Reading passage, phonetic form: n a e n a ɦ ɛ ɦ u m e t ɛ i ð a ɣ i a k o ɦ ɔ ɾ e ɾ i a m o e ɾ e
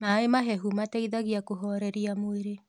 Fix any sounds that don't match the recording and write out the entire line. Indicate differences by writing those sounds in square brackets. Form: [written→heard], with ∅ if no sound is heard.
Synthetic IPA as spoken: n a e [n→m] a ɦ ɛ ɦ u m [e→a] t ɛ i ð a ɣ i a k o ɦ ɔ ɾ [e→ɛ] ɾ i a m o e ɾ e